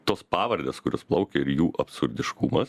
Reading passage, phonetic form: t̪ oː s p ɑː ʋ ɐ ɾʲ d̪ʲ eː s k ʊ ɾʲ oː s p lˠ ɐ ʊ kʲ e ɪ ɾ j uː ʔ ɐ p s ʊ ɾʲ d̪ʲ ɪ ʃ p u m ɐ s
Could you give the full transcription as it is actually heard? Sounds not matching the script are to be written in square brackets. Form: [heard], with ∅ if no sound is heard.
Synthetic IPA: t̪ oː s p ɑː ʋ ɐ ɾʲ d̪ʲ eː s k ʊ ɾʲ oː s p lˠ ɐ ʊ kʲ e ɪ ɾ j uː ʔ ɐ p s ʊ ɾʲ d̪ʲ ɪ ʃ [k] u m ɐ s